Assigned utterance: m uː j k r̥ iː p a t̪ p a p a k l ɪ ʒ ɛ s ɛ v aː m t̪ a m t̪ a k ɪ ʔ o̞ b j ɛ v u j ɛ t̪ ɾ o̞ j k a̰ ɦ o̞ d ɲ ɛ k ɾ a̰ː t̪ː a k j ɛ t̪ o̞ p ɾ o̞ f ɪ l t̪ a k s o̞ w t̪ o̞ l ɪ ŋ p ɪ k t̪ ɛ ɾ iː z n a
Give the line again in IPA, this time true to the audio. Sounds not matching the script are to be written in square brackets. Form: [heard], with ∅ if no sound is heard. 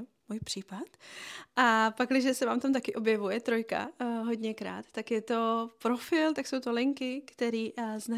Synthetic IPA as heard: m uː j [p] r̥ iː p a t̪ [ʔ] a p a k l ɪ ʒ ɛ s ɛ v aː m t̪ a m t̪ a k ɪ ʔ o̞ b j ɛ v u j ɛ t̪ ɾ o̞ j k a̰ ɦ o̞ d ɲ ɛ k ɾ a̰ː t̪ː a k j ɛ t̪ o̞ p ɾ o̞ f ɪ l t̪ a k s o̞ w t̪ o̞ l ɪ ŋ [k] ɪ k t̪ ɛ ɾ iː z n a